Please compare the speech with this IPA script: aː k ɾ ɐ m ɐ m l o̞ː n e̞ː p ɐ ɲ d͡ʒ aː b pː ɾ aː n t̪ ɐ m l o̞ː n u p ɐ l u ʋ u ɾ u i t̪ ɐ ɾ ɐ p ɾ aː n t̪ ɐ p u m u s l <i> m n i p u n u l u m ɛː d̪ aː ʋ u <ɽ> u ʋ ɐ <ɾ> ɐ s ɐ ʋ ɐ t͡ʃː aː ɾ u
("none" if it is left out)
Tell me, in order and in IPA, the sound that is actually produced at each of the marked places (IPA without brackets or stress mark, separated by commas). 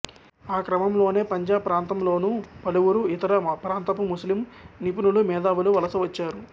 i, l, l